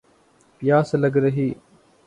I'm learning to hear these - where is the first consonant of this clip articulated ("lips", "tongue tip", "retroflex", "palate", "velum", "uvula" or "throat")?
lips